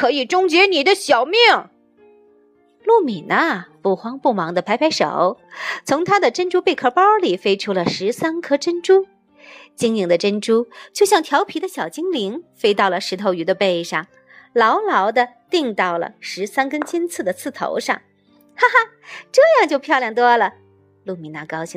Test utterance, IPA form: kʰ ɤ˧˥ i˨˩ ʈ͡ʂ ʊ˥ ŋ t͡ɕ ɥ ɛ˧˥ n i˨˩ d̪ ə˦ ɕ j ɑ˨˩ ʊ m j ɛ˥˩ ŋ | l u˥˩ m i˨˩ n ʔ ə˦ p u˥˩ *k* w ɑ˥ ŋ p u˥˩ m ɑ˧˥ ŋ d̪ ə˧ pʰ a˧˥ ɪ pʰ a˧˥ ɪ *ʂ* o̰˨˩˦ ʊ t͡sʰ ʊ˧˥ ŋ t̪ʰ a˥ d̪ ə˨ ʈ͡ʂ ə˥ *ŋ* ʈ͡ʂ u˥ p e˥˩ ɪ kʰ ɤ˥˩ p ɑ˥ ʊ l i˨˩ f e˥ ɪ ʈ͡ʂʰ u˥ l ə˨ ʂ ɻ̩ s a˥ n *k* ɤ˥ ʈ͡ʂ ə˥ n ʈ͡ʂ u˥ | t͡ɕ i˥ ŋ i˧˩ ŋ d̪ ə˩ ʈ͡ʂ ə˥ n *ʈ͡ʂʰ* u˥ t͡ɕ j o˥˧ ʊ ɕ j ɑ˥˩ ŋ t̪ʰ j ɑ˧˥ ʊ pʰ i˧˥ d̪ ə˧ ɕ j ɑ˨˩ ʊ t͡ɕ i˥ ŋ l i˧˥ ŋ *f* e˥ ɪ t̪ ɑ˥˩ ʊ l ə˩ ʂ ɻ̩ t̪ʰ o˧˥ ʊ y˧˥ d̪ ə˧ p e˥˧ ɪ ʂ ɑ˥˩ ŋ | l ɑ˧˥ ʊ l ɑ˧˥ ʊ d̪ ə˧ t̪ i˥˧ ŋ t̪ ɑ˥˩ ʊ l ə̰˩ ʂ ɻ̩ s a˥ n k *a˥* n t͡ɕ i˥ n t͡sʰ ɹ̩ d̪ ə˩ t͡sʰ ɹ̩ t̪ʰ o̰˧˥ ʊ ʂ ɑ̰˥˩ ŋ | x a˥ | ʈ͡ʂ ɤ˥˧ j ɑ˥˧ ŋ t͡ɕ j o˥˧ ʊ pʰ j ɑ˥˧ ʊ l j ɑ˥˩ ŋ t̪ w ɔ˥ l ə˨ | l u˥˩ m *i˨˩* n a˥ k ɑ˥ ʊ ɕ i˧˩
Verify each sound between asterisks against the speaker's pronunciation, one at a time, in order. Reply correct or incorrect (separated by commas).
incorrect, correct, incorrect, incorrect, incorrect, correct, incorrect, correct